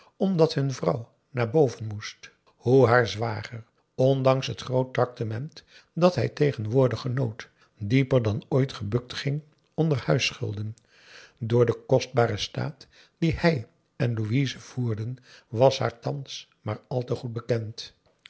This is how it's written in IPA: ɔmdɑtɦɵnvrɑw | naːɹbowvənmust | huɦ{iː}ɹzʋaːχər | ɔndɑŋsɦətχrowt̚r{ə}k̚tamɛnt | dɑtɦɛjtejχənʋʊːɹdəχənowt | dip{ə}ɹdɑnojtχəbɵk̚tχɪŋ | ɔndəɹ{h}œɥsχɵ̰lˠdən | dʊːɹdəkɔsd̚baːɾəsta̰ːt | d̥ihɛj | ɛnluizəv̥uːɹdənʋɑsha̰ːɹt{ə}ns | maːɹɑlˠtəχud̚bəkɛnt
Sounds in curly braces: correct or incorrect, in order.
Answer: incorrect: aː, incorrect: ɑ, correct, correct, incorrect: ɑ

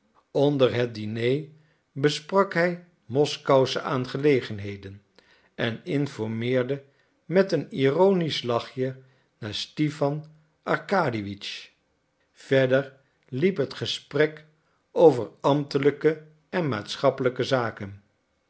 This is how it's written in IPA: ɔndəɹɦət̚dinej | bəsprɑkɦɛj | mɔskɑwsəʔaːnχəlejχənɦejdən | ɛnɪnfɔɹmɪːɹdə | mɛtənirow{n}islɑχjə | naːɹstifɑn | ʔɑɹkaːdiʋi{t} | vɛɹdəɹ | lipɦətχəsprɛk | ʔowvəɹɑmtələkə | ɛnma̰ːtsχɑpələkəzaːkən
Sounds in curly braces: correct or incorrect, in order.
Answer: correct, incorrect: t͡ʃ

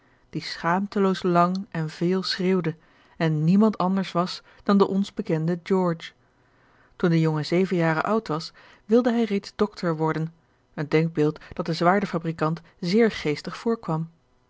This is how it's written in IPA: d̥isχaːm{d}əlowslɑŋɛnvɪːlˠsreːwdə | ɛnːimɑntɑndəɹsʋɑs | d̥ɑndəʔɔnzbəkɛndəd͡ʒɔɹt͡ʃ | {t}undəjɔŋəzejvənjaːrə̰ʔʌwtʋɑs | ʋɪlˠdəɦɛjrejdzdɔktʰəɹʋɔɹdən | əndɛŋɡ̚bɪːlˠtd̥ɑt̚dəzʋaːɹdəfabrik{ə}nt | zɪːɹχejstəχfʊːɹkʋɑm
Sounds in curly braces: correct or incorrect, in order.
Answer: incorrect: t, correct, incorrect: ɑ

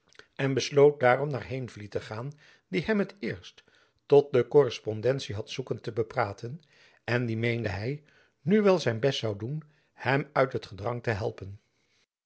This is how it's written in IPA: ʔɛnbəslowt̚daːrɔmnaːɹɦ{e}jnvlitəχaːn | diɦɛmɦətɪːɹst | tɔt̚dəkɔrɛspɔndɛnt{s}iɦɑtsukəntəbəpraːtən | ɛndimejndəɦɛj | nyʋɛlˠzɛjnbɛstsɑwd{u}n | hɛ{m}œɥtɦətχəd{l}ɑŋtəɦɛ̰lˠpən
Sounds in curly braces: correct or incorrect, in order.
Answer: correct, correct, correct, correct, incorrect: r

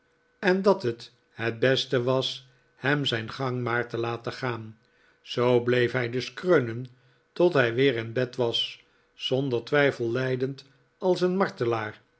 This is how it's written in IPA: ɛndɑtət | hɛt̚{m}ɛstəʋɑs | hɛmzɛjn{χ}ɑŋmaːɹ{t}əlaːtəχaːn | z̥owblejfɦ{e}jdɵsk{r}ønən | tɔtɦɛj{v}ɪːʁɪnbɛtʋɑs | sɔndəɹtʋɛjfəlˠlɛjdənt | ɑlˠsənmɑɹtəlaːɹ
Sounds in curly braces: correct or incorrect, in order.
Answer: incorrect: b, correct, correct, incorrect: ɛ, correct, incorrect: ʋ

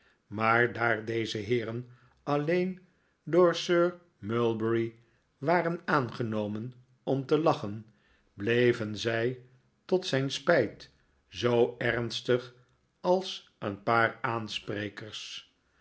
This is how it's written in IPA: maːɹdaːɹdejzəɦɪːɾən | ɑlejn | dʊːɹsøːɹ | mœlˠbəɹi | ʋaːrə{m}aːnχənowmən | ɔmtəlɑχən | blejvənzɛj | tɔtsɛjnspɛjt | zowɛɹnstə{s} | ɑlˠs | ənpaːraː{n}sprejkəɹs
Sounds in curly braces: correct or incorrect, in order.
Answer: incorrect: n, incorrect: χ, correct

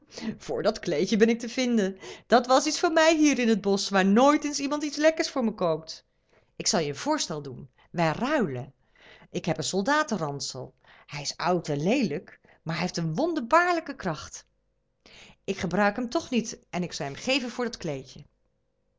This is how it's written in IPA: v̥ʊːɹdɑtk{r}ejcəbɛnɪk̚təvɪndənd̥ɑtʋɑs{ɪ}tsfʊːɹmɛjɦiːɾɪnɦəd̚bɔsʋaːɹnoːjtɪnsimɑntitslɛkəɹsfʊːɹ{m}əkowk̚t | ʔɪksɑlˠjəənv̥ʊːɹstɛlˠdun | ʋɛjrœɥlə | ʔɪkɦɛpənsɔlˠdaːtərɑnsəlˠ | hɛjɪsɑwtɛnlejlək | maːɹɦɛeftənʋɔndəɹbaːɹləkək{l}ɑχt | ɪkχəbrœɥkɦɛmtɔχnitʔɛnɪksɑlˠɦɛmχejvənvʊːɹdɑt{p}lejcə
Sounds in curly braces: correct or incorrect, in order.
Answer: incorrect: l, incorrect: i, correct, incorrect: r, incorrect: k

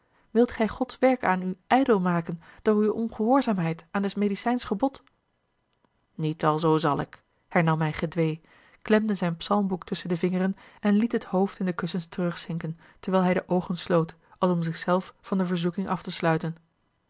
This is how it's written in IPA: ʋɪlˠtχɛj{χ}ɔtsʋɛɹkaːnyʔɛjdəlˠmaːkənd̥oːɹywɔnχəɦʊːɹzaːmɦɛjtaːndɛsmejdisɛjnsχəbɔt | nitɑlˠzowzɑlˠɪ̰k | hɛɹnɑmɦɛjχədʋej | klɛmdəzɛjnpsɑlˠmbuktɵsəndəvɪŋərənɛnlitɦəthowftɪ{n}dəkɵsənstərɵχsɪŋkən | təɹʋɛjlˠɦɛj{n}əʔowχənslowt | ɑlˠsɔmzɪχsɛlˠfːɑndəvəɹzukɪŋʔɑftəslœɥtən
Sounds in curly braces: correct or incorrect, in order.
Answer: correct, correct, incorrect: d

